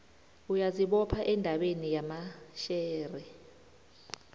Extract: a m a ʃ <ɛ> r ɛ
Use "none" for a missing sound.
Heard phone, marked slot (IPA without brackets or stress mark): ɛː